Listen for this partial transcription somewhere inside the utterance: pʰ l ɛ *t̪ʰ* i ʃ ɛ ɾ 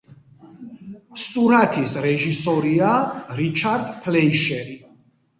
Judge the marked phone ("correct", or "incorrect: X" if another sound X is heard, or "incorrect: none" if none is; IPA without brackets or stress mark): incorrect: none